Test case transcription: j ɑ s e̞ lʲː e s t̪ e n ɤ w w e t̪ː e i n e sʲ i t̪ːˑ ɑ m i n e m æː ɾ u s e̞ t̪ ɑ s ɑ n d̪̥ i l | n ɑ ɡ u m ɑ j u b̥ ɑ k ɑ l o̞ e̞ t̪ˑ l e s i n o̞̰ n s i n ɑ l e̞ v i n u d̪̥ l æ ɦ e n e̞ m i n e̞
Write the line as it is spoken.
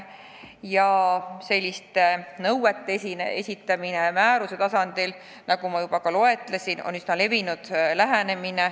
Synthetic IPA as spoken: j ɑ s e̞ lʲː i s t̪ e n ɤ w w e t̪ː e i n e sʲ i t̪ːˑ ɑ m i n e m æː ɾ u s e̞ t̪ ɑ s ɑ n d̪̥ i l | n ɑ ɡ u m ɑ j u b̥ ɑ k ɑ l o̞ e̞ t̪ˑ l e s i n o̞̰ n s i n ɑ l e̞ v i n u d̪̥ l æ ɦ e n e̞ m i n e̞